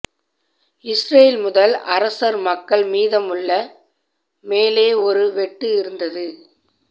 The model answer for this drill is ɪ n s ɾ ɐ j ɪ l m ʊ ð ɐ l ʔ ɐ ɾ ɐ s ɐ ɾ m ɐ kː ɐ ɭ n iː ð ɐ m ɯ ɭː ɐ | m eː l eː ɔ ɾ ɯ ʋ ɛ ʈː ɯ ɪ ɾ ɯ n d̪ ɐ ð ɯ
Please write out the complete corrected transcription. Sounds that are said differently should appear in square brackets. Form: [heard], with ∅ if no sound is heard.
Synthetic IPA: ɪ [∅] s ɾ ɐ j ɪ l m ʊ ð ɐ l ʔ ɐ ɾ ɐ s ɐ ɾ m ɐ kː ɐ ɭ [m] iː ð ɐ m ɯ ɭː ɐ | m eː l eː ɔ ɾ ɯ ʋ ɛ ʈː ɯ ɪ ɾ ɯ n d̪ ɐ ð ɯ